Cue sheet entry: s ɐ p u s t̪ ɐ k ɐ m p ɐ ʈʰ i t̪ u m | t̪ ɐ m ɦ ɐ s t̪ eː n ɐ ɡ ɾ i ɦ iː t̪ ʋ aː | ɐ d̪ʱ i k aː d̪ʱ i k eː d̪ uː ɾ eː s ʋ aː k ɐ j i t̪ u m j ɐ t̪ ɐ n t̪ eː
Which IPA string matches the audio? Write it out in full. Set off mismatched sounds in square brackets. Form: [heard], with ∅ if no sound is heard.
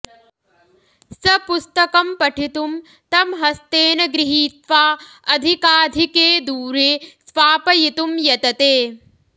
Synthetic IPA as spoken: s ɐ p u s t̪ ɐ k ɐ m p ɐ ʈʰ i t̪ u m | t̪ ɐ m ɦ ɐ s t̪ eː n ɐ ɡ ɾ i ɦ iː t̪ ʋ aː | ɐ d̪ʱ i k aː d̪ʱ i k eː d̪ uː ɾ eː s ʋ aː [p] ɐ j i t̪ u m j ɐ t̪ ɐ [∅] t̪ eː